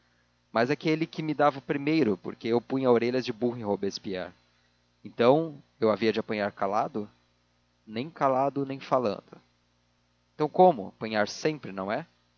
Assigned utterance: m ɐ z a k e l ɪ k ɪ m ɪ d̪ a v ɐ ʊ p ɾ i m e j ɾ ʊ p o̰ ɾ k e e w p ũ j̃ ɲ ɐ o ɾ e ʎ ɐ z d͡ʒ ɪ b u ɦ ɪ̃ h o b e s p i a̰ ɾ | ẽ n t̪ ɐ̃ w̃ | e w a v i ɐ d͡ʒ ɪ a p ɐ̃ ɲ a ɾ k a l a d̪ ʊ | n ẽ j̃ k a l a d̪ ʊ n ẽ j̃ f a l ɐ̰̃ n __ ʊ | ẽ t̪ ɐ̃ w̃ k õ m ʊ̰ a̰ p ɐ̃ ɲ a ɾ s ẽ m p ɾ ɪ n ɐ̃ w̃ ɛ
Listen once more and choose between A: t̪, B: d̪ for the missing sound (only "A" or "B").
B